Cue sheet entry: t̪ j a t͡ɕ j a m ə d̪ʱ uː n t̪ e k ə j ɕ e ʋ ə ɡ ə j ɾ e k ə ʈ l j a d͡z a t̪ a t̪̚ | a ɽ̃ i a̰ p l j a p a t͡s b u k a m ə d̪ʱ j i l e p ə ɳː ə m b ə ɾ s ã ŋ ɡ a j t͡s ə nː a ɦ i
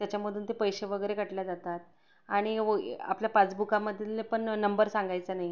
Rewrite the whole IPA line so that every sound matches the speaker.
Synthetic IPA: t̪ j a t͡ɕ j a m ə d̪ʱ uː n t̪ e p ə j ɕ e ʋ ə ɡ ə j ɾ e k ə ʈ l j a d͡z a t̪ a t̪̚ | a ɽ̃ i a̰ p l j a p a t͡s b u k a m ə d̪ʱ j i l e p ə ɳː ə m b ə ɾ s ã ŋ ɡ a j t͡s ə n a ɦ i

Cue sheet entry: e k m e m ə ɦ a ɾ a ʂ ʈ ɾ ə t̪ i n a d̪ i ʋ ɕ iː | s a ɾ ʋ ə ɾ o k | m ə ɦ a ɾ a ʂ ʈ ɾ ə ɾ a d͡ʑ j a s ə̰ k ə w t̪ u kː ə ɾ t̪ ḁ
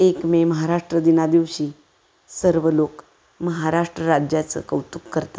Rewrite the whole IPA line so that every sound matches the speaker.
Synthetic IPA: e k m e m ə ɦ a ɾ a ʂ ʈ ɾ ə d̪ i n a d̪ i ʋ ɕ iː | s ə ɾ ʋ ə l o k | m ə ɦ a ɾ a ʂ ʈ ɾ ə ɾ a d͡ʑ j a t͡s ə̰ k ə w t̪ u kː ə ɾ t̪ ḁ

